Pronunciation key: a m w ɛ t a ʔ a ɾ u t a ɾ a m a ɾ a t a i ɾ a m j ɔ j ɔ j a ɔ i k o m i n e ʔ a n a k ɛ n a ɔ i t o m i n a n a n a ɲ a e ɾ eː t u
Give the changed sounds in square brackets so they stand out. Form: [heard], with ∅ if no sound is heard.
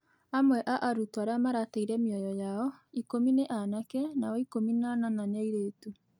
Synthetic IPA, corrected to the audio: a m w ɛ [ʔ] a ʔ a ɾ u t a ɾ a m a ɾ a t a i ɾ [ɛ] m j ɔ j ɔ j a ɔ i k o m i n e ʔ a n a k ɛ n a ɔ i [k] o m i n a n a n a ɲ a [i] ɾ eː t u